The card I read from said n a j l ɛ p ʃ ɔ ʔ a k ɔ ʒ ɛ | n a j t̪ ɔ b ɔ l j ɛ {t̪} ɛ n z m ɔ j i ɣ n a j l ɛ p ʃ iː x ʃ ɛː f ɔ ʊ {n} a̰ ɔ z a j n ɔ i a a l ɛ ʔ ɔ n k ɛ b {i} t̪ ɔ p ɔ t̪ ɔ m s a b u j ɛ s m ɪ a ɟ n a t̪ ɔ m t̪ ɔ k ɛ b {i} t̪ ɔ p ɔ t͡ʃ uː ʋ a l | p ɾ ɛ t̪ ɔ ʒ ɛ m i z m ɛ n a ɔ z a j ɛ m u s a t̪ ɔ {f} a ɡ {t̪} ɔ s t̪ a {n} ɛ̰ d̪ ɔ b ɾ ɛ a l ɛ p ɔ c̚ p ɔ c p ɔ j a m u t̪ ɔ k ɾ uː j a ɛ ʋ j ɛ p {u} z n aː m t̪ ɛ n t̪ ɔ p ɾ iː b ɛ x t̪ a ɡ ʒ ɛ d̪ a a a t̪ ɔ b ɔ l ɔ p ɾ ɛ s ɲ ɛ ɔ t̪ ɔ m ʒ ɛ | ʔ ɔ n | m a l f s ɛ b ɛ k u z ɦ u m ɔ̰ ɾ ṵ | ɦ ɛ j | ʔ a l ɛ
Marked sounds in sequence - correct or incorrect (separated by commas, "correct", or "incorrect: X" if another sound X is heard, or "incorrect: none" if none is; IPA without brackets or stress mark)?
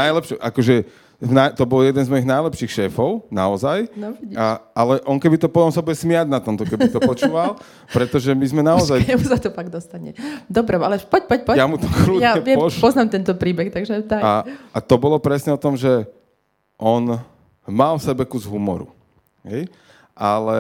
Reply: incorrect: d̪, correct, correct, correct, correct, incorrect: d̪, incorrect: ɲ, incorrect: ɔ